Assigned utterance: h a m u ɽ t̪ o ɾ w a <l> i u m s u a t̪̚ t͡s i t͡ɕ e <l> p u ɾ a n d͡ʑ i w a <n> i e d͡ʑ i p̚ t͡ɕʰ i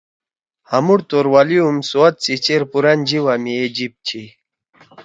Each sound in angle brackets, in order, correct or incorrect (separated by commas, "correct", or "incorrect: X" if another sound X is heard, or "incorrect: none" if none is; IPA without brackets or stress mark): correct, incorrect: ɾ, incorrect: m